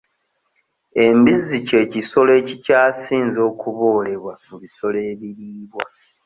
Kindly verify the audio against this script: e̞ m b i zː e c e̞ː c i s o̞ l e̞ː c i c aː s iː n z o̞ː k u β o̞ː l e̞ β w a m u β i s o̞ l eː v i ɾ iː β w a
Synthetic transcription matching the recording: e̞ m b i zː i c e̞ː c i s o̞ l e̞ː c i c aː s iː n z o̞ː k u β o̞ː l e̞ β w a m u β i s o̞ l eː β i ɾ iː β w a